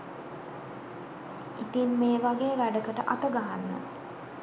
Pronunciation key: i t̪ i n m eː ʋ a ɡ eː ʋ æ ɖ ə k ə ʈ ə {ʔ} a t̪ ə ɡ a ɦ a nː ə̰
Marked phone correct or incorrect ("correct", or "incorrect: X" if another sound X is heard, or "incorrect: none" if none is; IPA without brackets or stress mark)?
correct